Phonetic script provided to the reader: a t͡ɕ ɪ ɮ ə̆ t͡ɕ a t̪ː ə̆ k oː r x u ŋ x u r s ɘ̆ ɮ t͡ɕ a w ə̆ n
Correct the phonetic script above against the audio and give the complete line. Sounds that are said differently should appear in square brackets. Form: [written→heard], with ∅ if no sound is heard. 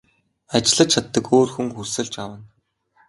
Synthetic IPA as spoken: a t͡ɕ ɪ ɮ ə̆ [t͡ɕ→t͡ɕʰ] a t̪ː ə̆ k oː r x u ŋ x u r s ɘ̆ ɮ t͡ɕ a w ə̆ n